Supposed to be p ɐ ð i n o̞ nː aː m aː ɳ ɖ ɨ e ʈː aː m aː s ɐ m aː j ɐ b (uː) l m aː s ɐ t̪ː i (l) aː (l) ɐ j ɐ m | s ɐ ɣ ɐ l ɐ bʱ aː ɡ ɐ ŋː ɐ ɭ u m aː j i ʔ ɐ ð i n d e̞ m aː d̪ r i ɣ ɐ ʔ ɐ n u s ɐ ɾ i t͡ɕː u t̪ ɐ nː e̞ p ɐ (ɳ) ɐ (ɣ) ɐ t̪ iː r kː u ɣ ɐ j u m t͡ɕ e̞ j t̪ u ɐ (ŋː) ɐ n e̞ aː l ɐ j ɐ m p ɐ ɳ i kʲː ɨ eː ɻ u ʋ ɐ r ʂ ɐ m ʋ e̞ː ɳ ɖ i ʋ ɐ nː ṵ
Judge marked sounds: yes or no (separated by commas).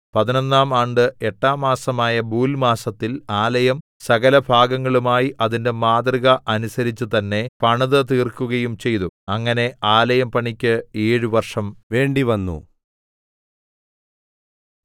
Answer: yes, yes, yes, yes, no, yes